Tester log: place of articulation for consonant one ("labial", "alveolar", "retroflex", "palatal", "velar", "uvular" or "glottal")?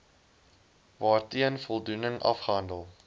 labial